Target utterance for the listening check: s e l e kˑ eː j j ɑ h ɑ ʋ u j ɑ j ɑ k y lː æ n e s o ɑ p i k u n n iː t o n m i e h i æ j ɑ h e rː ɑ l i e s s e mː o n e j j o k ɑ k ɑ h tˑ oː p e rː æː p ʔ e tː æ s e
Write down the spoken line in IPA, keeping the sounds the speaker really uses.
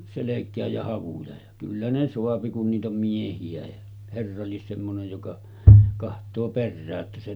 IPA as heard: s e l e kˑ æː j j ɑ h ɑ ʋ u j ɑ j ɑ k y lː æ n e s o ɑ p i k u n n iː t o m m i e h i æ j ɑ h e rː ɑ l i e s s e mː o n e j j o k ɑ k ɑ h tˑ oː p e rː æː ʔ ʔ e tː æ s e